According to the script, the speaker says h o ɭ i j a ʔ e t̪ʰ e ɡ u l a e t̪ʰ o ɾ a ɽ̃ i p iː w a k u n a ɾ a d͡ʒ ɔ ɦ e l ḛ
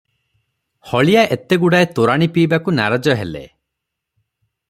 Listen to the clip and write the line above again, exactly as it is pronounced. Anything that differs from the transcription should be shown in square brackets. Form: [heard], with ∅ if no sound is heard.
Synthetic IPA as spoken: h [ɔ] ɭ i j a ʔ e [t̪] e ɡ u [ɽ] a e [t̪] o ɾ a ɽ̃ i p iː [b] a k u n a ɾ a d͡ʒ ɔ ɦ e l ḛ